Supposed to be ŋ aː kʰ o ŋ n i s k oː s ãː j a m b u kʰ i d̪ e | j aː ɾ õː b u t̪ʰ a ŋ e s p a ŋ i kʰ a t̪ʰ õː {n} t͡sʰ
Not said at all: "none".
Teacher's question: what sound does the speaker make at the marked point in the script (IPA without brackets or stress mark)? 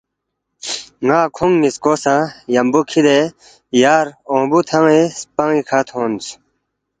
n